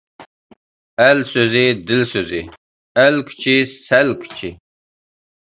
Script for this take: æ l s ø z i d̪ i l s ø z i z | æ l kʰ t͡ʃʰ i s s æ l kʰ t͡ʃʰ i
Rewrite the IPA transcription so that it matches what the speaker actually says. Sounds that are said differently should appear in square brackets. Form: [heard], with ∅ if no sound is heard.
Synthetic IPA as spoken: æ l s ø z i d̪ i l s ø z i [∅] | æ l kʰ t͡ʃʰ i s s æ l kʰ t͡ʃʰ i

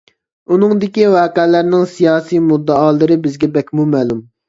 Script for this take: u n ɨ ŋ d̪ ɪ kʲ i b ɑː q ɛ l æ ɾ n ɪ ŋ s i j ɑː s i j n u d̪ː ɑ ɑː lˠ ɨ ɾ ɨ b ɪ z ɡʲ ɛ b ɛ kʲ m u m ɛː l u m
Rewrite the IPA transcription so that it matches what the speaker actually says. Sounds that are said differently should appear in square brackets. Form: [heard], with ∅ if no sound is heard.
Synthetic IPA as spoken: u n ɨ ŋ d̪ ɪ kʲ i [w] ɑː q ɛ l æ ɾ n ɪ ŋ s i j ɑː s i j [m] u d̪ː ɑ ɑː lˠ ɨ ɾ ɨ b ɪ z ɡʲ ɛ b ɛ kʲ m u m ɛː l u m

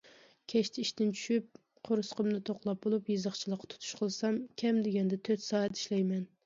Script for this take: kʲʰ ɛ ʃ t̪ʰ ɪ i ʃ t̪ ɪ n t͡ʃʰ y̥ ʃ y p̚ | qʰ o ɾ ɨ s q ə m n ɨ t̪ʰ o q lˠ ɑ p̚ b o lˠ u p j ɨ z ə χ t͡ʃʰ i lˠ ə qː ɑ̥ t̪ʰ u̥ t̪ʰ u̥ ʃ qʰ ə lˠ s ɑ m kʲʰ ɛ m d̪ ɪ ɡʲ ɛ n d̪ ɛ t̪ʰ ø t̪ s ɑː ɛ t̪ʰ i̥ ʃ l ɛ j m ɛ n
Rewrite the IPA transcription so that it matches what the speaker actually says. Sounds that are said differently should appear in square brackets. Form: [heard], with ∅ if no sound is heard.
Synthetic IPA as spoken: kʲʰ ɛ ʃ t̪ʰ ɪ i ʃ t̪ ɪ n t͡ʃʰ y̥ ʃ y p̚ | qʰ o ɾ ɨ s q ə m n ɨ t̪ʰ o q lˠ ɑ p̚ b o lˠ u p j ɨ z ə χ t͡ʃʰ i lˠ ə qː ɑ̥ t̪ʰ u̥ t̪ʰ u̥ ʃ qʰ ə lˠ s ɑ m kʲʰ ɛ m d̪ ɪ ɡʲ ɛ n d̪ ɛ t̪ʰ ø t̪ s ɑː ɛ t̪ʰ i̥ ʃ l ɛ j m ɛ n

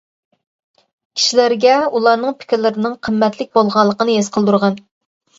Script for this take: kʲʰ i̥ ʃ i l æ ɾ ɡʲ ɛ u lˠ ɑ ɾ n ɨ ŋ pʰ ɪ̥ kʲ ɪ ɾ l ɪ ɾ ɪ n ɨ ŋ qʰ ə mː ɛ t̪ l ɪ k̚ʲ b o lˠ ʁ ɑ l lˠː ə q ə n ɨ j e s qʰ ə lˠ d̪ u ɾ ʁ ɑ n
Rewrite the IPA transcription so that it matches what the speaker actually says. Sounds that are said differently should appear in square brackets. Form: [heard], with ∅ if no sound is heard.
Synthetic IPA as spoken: kʲʰ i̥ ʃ i l æ ɾ ɡʲ ɛ u lˠ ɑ ɾ n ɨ ŋ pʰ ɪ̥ kʲ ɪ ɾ l ɪ ɾ ɪ n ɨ ŋ qʰ ə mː ɛ t̪ l ɪ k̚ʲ b o lˠ ʁ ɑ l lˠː ə q ə n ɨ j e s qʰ ə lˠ d̪ u ɾ ʁ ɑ n

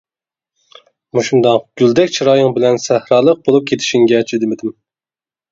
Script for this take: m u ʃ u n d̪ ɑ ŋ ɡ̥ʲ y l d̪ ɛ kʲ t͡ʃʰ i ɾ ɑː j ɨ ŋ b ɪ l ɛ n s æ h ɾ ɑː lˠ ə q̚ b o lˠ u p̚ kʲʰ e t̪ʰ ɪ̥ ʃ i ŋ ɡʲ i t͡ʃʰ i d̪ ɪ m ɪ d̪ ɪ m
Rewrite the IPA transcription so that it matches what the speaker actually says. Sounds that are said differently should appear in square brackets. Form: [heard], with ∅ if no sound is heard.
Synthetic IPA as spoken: m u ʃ u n d̪ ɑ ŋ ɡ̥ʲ y l d̪ ɛ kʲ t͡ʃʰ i ɾ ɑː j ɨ ŋ b ɪ l ɛ n s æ h ɾ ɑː lˠ ə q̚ b o lˠ u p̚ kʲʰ e t̪ʰ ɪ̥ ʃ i ŋ ɡʲ [ɛ] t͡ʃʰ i d̪ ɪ m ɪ d̪ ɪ m

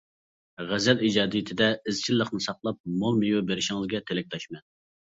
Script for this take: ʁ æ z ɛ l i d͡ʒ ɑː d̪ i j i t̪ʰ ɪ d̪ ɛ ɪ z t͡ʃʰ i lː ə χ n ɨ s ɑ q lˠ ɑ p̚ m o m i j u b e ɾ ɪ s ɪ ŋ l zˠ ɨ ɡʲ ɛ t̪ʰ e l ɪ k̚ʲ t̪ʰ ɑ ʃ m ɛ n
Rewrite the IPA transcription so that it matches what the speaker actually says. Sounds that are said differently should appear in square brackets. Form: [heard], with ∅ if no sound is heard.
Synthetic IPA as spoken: ʁ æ z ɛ l i d͡ʒ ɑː d̪ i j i t̪ʰ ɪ d̪ ɛ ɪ z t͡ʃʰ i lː ə χ n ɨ s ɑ q lˠ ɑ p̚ m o m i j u b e ɾ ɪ [ʃ] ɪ ŋ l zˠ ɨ ɡʲ ɛ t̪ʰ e l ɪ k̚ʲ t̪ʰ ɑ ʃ m ɛ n

